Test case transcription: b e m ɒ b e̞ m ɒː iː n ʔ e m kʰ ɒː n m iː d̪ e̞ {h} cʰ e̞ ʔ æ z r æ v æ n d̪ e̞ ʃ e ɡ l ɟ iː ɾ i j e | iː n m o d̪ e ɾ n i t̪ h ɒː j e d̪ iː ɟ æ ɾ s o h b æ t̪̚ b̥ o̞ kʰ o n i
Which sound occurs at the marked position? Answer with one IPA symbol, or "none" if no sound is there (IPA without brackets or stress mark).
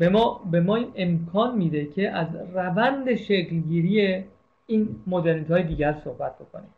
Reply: none